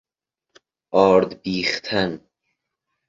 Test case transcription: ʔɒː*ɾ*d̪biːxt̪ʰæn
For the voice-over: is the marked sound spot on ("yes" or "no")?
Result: yes